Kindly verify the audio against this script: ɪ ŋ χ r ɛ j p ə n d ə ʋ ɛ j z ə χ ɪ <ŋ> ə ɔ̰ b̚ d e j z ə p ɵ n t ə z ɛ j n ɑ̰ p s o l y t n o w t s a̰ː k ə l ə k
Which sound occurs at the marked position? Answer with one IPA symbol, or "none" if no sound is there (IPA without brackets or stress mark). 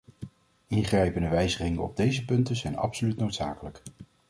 ŋ